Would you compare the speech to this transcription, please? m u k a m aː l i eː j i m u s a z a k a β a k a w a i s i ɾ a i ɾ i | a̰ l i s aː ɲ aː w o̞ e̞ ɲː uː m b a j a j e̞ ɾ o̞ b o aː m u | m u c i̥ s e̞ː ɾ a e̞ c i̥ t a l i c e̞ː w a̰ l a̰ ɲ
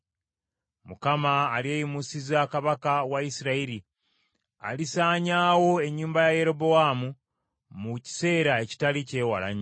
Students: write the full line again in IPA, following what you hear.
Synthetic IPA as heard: m u k a m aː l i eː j i m u s i z a k a β a k a w a i s i ɾ a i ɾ i | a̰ l i s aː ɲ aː w o̞ e̞ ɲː uː m b a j a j e̞ ɾ o̞ b o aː m u | m u c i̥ s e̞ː ɾ a e̞ c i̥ t a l i c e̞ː w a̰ l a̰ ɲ